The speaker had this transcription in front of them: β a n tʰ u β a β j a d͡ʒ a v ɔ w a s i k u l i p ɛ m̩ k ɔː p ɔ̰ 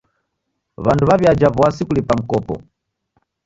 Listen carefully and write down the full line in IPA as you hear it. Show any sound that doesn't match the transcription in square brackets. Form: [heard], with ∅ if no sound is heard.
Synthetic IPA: β a n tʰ u β a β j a d͡ʒ a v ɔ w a s i k u l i p [a] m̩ k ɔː p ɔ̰